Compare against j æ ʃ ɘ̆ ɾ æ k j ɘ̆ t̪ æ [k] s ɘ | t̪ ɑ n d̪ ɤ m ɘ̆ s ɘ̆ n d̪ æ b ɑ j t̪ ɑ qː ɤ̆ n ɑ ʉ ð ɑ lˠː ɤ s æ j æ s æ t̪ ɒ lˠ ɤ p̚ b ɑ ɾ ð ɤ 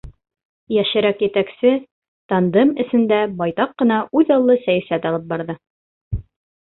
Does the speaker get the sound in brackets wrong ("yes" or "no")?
no